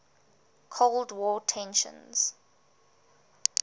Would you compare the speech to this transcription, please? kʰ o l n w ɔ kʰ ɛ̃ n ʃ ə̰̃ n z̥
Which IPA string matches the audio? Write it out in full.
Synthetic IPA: kʰ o l d w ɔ tʰ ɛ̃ n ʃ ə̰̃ n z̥